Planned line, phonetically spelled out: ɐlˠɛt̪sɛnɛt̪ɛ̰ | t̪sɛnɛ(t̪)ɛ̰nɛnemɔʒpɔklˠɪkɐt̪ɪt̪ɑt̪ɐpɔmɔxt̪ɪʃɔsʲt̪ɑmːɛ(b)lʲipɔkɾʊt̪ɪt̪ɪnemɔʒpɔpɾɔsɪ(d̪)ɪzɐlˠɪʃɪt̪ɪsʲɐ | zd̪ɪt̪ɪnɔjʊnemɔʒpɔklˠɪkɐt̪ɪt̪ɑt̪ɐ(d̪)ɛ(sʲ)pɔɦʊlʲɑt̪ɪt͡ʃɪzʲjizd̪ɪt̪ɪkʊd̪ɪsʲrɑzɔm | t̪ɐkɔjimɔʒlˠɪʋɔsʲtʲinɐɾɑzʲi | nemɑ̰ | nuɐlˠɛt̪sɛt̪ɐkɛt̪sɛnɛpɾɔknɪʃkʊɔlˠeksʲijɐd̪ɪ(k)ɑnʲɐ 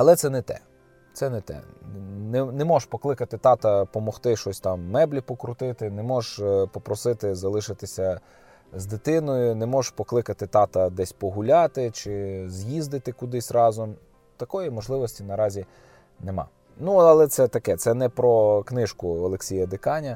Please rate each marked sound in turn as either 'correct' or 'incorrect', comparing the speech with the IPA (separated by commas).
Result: correct, correct, incorrect, correct, correct, correct